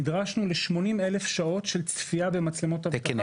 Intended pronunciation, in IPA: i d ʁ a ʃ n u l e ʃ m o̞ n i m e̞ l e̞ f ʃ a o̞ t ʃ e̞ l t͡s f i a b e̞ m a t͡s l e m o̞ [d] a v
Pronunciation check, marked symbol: incorrect: t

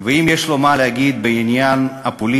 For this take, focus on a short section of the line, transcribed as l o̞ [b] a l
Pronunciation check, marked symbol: incorrect: m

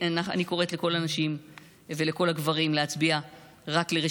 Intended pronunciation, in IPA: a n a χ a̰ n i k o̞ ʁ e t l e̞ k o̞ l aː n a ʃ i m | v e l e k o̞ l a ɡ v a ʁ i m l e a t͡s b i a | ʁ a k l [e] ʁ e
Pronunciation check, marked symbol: correct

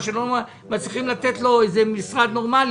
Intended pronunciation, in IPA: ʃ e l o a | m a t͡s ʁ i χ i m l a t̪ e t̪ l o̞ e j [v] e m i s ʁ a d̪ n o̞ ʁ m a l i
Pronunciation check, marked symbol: incorrect: z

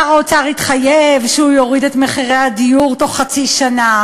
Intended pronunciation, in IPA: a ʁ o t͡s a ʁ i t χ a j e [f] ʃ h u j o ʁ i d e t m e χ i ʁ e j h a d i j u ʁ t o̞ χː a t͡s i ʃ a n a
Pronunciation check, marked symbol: incorrect: v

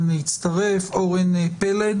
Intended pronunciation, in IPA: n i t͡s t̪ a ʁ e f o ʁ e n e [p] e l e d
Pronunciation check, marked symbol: correct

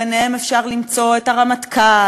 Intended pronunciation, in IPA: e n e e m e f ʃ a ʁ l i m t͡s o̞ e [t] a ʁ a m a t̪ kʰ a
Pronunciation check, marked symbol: correct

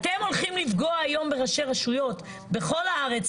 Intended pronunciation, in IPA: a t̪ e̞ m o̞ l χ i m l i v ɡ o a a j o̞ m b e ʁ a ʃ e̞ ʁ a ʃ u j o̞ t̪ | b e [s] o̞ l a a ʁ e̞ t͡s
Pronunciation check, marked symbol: incorrect: χ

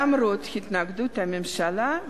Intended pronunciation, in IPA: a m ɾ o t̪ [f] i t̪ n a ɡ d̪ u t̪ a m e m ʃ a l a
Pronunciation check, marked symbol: incorrect: h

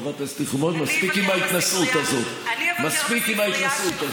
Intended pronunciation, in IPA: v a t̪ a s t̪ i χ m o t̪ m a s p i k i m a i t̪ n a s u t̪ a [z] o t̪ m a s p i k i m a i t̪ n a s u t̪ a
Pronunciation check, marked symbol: correct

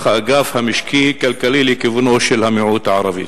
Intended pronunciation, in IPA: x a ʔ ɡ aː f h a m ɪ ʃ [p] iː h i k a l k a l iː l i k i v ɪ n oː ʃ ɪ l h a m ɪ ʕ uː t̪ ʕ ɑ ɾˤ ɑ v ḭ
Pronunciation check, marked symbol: incorrect: k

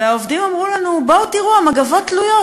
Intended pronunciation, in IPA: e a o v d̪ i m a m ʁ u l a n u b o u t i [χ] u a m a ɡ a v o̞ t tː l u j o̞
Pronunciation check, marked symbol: incorrect: ʁ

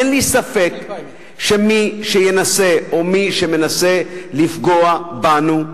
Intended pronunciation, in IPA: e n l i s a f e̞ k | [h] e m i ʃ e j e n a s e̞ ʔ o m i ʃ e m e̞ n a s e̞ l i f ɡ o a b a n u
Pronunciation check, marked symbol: incorrect: ʃ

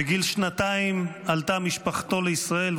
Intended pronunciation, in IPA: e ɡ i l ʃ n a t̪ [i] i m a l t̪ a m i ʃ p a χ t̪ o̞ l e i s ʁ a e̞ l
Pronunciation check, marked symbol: incorrect: a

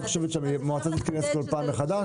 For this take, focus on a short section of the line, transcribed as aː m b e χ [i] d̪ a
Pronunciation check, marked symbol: incorrect: a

